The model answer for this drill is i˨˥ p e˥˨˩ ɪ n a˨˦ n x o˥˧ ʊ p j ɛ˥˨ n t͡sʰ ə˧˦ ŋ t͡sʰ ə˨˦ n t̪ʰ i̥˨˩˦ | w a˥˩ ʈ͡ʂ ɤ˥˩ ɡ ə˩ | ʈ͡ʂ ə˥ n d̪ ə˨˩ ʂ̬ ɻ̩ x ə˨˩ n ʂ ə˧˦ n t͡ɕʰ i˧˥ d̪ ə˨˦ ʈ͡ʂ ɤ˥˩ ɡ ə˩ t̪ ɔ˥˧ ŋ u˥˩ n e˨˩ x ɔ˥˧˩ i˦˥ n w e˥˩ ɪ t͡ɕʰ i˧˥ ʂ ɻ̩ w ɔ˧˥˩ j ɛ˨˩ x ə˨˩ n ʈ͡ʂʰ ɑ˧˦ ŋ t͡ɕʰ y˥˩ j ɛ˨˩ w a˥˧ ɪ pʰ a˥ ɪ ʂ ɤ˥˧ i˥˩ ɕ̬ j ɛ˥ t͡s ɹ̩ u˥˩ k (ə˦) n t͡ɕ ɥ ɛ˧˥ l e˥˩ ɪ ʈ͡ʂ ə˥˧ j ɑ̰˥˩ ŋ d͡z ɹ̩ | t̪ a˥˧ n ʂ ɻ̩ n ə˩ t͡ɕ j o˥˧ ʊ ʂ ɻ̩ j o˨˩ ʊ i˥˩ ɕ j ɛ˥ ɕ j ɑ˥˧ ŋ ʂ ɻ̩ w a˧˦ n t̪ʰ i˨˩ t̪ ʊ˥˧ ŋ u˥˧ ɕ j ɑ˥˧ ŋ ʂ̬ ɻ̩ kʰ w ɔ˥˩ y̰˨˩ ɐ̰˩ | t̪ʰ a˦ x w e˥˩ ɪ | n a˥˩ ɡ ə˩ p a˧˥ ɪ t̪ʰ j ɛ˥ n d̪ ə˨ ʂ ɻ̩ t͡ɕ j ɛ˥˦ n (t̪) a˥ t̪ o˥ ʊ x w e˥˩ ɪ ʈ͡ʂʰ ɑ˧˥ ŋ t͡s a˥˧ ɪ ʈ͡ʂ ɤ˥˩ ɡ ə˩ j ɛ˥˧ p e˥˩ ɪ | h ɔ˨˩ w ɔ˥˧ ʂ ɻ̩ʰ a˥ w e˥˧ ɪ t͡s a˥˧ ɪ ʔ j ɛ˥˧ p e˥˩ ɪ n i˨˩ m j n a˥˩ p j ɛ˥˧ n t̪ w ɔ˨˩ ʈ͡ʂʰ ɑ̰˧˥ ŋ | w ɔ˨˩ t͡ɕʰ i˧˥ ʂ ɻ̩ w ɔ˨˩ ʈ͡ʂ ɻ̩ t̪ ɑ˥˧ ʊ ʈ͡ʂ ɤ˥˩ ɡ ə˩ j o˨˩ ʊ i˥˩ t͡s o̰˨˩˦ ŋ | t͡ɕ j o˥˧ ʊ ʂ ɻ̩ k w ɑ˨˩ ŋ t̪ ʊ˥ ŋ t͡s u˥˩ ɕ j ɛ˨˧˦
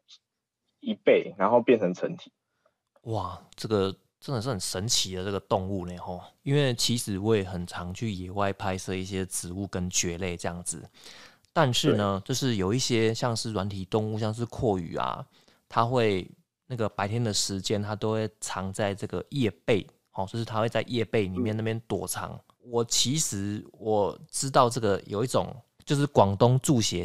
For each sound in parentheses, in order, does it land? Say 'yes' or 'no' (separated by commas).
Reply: yes, no